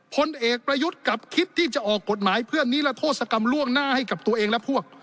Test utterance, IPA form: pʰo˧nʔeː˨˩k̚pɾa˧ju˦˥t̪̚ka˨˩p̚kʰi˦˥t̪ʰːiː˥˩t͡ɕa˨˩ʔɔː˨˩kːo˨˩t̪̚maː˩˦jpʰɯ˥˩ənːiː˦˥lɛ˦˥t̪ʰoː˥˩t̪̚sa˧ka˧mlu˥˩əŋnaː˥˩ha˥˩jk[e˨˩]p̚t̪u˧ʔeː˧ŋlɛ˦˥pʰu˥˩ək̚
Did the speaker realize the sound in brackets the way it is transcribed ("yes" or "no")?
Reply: no